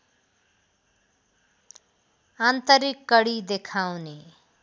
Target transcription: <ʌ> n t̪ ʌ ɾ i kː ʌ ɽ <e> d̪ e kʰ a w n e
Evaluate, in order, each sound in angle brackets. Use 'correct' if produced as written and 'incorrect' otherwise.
incorrect: a, incorrect: i

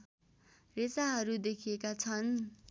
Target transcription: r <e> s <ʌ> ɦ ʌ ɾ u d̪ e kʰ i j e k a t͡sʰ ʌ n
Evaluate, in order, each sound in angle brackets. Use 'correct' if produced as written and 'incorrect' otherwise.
correct, incorrect: a

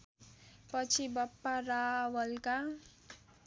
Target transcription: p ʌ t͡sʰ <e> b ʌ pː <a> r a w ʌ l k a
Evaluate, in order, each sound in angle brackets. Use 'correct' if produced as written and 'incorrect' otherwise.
incorrect: i, correct

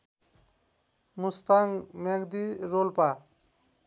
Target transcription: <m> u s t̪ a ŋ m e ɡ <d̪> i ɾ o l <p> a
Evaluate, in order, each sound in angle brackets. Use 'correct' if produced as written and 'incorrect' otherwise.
correct, correct, correct

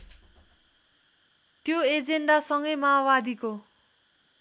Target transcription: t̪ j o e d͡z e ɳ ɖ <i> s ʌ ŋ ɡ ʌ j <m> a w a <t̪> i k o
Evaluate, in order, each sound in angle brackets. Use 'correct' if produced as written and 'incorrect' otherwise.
incorrect: a, correct, incorrect: d̪

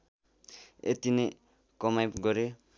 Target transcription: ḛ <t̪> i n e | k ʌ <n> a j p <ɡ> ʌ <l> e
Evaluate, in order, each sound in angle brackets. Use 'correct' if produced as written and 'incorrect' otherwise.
correct, incorrect: m, correct, incorrect: ɾ

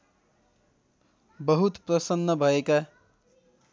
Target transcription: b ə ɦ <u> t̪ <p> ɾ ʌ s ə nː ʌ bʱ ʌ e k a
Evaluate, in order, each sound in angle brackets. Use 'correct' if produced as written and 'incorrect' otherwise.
correct, correct

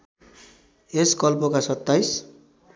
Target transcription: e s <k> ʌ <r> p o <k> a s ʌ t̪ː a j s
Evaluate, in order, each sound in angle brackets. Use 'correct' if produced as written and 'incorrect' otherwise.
correct, incorrect: l, correct

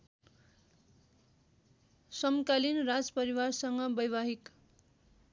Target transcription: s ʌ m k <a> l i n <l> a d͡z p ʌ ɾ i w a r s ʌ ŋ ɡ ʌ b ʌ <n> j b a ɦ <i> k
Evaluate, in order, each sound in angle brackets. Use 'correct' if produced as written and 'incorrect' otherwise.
correct, incorrect: r, incorrect: none, correct

